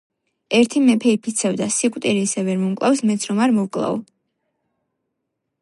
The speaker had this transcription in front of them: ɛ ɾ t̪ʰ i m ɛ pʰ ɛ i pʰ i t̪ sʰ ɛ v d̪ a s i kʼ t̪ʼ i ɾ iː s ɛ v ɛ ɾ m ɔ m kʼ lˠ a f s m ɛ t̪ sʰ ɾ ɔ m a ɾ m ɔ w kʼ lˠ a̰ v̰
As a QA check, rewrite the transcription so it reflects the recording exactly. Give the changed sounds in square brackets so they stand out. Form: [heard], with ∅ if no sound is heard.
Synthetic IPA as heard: ɛ ɾ t̪ʰ i m ɛ pʰ ɛ i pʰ i t̪ sʰ ɛ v d̪ a s i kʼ t̪ʼ i ɾ iː s ɛ v ɛ ɾ m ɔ m kʼ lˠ a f s m ɛ t̪ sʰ ɾ ɔ m a ɾ m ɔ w kʼ lˠ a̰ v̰